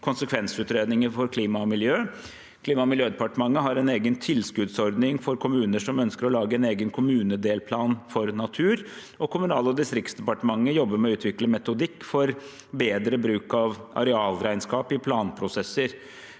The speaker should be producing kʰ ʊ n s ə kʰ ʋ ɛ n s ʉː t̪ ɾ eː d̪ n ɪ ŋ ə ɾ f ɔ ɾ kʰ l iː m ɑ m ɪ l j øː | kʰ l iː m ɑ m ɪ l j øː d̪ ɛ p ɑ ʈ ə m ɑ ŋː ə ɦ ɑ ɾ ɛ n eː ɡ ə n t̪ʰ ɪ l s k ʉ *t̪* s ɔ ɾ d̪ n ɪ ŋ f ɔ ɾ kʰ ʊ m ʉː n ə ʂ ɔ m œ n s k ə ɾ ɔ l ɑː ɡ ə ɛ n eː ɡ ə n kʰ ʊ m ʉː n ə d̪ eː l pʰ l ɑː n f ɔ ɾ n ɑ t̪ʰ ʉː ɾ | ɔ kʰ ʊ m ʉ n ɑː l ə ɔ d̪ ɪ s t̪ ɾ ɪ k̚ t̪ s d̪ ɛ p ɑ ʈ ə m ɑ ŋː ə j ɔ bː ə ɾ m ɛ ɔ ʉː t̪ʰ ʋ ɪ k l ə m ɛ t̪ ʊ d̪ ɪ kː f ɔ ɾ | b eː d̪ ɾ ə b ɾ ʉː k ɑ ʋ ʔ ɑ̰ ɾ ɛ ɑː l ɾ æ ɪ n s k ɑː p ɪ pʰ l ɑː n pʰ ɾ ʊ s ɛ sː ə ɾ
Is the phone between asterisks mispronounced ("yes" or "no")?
yes